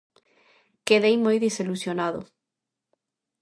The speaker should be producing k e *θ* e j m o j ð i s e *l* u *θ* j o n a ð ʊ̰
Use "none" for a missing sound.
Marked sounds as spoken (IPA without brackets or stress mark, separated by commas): ð, l, s